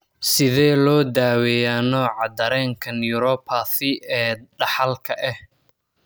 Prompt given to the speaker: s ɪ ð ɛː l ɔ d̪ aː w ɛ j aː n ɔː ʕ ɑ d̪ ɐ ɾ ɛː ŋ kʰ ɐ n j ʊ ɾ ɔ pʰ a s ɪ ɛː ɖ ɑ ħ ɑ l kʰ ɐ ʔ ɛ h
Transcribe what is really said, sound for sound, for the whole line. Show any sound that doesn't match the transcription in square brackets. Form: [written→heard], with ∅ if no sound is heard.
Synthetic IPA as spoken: s ɪ ð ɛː l [ɔ→ɔː] d̪ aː w ɛ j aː n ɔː ʕ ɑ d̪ ɐ ɾ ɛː ŋ kʰ ɐ n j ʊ ɾ ɔ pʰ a [s→θ] ɪ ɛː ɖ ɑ ħ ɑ l kʰ ɐ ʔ ɛ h